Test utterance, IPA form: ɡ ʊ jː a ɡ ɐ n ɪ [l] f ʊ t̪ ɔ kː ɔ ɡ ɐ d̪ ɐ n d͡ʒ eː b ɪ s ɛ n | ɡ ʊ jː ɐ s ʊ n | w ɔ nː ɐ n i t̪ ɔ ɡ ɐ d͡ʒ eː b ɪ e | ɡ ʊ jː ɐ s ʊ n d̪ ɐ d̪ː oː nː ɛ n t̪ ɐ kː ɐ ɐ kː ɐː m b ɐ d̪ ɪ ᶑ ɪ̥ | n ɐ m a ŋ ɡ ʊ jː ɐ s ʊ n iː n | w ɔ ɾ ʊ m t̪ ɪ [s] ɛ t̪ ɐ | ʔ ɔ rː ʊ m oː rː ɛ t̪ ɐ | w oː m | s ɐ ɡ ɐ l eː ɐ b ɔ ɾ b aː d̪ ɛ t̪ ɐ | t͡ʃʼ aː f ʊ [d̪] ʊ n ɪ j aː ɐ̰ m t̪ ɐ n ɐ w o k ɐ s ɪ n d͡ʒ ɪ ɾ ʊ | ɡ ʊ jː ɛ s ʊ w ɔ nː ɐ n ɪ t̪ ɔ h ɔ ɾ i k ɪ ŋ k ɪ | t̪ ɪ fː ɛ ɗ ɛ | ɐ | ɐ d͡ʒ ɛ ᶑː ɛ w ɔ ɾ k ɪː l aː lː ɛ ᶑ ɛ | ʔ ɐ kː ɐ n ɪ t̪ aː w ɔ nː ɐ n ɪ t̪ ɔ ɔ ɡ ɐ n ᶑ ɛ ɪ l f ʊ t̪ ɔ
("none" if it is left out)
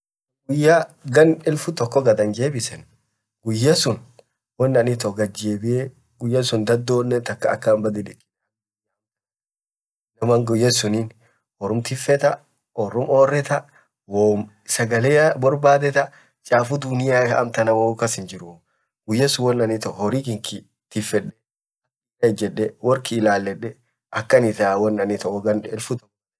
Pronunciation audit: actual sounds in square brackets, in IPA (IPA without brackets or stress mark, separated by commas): l, f, d̪